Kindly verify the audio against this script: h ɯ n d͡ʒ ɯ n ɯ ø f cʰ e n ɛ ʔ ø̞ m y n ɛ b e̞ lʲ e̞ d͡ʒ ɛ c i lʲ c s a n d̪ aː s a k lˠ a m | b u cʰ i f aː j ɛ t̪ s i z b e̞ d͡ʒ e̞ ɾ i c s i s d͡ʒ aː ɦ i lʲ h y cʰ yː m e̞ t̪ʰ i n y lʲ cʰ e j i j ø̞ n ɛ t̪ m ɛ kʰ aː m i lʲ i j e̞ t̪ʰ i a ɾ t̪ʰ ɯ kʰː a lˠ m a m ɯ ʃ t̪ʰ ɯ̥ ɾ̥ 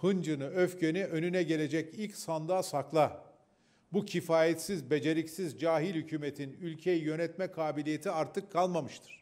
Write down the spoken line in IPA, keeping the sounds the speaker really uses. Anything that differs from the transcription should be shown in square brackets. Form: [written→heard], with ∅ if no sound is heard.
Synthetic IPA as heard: h ɯ n d͡ʒ ɯ n ɯ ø f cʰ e n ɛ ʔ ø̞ [m→n] y n ɛ [b→ɟ] e̞ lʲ e̞ d͡ʒ ɛ c i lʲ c s a n d̪ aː s a k lˠ a [m→∅] | b u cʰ i f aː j ɛ t̪ s i z b e̞ d͡ʒ e̞ ɾ i c s i [s→z] d͡ʒ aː ɦ i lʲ h y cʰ yː m e̞ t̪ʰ i n y lʲ cʰ e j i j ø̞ n ɛ t̪ m ɛ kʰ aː [m→b] i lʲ i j e̞ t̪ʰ i a ɾ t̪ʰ ɯ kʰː a lˠ m a m ɯ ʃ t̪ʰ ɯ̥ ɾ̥